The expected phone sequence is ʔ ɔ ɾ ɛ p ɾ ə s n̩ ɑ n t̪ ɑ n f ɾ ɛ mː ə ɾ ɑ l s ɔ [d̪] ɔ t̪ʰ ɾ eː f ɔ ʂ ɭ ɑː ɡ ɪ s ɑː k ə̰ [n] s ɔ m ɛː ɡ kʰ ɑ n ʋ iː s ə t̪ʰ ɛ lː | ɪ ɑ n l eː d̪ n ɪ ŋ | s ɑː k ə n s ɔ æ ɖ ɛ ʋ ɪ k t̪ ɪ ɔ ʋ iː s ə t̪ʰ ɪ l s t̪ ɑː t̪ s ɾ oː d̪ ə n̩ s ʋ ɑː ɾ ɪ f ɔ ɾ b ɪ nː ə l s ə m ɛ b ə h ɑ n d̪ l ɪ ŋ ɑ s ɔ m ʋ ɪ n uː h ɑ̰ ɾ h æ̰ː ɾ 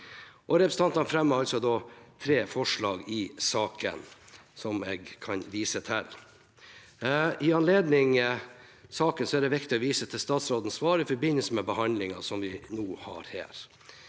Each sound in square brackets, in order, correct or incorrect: correct, correct

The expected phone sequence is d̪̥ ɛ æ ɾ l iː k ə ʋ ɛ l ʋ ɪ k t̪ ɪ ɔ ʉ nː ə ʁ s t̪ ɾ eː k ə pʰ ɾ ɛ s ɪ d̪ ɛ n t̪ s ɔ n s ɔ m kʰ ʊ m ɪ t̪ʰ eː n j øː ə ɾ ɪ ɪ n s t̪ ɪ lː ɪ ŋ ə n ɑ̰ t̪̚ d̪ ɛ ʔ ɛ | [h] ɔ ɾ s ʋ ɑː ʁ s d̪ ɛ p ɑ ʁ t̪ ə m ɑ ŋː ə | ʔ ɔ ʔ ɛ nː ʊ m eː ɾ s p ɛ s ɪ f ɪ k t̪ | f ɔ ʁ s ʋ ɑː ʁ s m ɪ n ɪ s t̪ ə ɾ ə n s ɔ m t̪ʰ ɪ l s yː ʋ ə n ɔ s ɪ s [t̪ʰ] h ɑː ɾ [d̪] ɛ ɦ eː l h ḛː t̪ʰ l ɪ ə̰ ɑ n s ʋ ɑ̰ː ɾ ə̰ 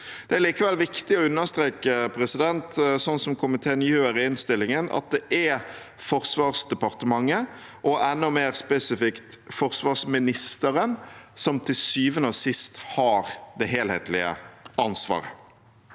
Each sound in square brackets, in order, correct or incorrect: incorrect, incorrect, correct

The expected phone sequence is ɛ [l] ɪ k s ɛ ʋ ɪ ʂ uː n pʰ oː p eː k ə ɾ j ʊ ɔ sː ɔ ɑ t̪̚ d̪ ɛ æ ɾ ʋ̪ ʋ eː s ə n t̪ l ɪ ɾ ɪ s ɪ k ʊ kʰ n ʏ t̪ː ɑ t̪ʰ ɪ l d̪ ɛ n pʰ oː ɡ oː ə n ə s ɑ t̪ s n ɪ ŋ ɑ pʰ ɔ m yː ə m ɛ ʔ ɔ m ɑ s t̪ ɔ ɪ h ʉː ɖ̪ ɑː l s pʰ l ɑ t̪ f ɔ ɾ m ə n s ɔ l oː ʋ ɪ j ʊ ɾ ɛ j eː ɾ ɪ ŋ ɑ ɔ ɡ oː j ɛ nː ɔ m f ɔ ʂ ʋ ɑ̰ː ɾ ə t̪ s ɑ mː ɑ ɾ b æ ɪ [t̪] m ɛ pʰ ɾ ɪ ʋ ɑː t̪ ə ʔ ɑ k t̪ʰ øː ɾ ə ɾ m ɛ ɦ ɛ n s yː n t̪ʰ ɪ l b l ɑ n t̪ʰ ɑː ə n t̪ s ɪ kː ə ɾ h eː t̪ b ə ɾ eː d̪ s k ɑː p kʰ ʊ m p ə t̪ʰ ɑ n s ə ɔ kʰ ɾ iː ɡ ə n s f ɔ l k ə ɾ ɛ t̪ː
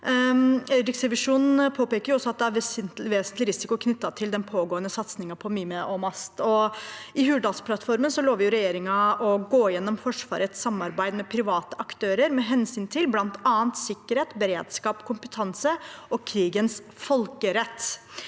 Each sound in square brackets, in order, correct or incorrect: incorrect, incorrect

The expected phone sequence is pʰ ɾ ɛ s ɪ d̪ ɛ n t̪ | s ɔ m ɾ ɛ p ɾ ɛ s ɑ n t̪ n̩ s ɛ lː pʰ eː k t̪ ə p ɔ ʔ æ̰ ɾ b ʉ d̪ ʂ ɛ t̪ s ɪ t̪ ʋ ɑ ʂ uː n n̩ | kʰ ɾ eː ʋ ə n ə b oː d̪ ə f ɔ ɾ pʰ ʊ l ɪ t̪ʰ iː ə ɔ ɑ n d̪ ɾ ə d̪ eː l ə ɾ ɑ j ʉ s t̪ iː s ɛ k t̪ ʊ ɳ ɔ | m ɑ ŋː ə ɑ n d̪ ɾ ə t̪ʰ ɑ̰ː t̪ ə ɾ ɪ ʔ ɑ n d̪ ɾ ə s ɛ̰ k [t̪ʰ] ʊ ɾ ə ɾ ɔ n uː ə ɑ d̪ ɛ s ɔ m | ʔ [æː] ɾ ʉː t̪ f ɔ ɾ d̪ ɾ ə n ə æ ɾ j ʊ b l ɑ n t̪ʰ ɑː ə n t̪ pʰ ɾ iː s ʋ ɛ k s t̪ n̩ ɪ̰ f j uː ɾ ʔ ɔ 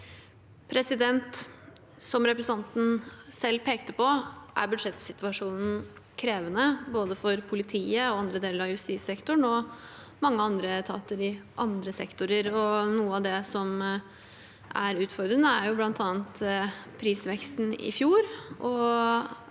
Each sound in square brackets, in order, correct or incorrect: incorrect, incorrect

